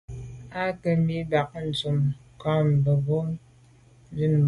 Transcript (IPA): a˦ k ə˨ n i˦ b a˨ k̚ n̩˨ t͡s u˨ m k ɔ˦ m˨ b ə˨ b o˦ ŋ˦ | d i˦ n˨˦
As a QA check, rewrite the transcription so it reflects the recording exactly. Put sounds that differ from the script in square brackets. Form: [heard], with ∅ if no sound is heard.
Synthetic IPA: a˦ k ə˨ [m] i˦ b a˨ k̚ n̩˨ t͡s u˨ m k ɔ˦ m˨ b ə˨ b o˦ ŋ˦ | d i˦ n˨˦